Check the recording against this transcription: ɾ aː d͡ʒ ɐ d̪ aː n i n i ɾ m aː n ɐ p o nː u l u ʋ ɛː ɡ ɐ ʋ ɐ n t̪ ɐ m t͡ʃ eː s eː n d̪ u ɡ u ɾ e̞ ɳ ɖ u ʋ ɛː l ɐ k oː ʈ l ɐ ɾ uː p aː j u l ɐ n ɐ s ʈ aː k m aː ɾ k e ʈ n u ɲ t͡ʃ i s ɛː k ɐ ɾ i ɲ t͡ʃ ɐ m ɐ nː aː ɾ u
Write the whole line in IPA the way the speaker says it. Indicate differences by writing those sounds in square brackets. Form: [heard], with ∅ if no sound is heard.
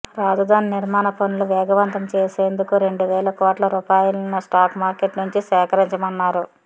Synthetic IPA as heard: ɾ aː d͡ʒ ɐ d̪ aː n i n i ɾ m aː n ɐ p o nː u l u ʋ ɛː ɡ ɐ ʋ ɐ n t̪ ɐ m t͡ʃ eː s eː n d̪ u [k] u ɾ e̞ ɳ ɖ u ʋ ɛː l ɐ k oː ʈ l ɐ ɾ uː p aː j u l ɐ n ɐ s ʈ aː k m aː ɾ k e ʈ n u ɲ t͡ʃ i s ɛː k ɐ ɾ i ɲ t͡ʃ ɐ m ɐ nː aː ɾ u